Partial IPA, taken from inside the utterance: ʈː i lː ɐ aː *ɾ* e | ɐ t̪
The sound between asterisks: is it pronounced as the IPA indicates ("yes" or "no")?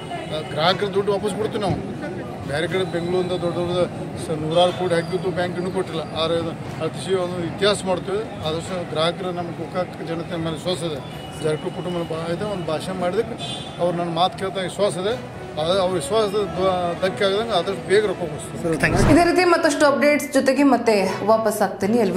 yes